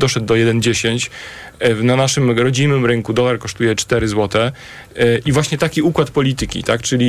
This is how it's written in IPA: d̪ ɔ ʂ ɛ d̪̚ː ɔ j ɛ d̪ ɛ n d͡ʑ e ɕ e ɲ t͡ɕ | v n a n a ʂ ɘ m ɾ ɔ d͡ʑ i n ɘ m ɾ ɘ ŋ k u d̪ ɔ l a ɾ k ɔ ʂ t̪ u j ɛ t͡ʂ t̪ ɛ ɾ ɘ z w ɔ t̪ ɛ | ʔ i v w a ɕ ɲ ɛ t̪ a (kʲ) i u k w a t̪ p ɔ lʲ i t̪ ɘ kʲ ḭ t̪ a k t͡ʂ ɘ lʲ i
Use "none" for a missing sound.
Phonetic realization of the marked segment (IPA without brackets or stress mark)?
kʲ